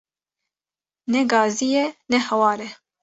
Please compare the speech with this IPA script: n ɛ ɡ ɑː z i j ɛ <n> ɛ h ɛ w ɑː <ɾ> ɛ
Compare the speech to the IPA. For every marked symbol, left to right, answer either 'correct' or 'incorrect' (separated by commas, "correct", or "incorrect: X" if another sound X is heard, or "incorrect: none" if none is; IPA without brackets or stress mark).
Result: correct, correct